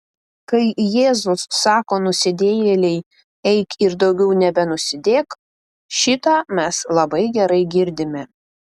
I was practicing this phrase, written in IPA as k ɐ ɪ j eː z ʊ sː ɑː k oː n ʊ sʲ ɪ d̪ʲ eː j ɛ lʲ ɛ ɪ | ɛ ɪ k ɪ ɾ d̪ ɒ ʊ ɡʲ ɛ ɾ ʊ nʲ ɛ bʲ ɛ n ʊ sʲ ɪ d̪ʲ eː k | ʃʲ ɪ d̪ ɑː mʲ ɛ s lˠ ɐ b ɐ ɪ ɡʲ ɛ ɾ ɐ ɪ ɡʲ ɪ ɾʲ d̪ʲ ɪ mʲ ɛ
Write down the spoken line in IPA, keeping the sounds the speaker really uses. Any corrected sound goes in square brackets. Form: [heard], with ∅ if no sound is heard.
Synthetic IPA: k ɐ ɪ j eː z ʊ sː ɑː k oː n ʊ sʲ ɪ d̪ʲ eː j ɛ lʲ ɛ ɪ | ɛ ɪ k ɪ ɾ d̪ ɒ ʊ ɡʲ ɛ [∅] ʊ nʲ ɛ bʲ ɛ n ʊ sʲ ɪ d̪ʲ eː k | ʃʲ ɪ [t̪] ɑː mʲ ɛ s lˠ ɐ b ɐ ɪ ɡʲ ɛ ɾ ɐ ɪ ɡʲ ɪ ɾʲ d̪ʲ ɪ mʲ ɛ

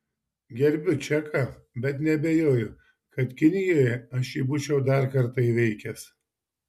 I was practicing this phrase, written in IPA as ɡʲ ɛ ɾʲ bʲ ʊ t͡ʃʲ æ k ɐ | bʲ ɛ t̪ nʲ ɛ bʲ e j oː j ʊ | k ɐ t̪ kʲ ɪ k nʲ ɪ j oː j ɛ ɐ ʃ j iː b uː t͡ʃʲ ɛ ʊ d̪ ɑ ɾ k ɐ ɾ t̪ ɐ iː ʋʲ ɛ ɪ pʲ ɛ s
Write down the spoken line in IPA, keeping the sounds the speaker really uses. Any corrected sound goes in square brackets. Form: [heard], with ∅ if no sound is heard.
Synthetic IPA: ɡʲ ɛ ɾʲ bʲ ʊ t͡ʃʲ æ k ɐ | bʲ ɛ t̪ nʲ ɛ bʲ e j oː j ʊ | k ɐ t̪ kʲ ɪ [∅] nʲ ɪ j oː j ɛ ɐ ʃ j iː b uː t͡ʃʲ ɛ ʊ d̪ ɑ ɾ k ɐ ɾ t̪ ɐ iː ʋʲ ɛ ɪ [kʲ] ɛ s

